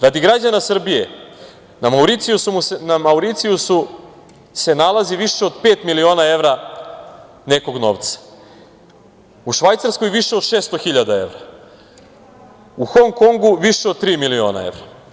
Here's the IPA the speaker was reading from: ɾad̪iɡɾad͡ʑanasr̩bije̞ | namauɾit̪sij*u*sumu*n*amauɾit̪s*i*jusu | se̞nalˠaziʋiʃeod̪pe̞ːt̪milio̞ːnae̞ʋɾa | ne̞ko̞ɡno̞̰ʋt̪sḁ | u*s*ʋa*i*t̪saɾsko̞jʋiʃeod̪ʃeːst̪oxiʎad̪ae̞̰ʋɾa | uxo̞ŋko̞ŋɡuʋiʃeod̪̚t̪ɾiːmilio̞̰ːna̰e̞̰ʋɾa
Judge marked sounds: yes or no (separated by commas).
yes, yes, yes, no, no